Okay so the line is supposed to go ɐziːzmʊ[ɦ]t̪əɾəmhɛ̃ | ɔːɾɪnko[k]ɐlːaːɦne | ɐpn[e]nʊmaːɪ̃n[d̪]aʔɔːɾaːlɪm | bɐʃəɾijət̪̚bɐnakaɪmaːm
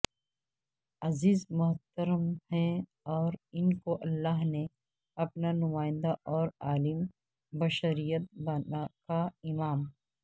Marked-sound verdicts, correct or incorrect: correct, incorrect, incorrect, correct

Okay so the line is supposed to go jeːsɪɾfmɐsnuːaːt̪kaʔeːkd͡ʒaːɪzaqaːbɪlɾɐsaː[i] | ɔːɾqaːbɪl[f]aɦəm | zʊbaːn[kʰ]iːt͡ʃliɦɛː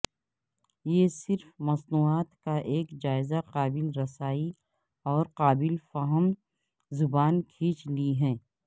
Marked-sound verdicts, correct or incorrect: correct, correct, correct

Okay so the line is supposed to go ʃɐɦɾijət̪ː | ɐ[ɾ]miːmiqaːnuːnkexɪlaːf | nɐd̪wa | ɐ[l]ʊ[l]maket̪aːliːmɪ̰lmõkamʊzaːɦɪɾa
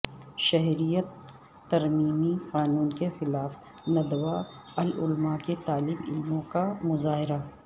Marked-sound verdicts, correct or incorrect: correct, correct, correct

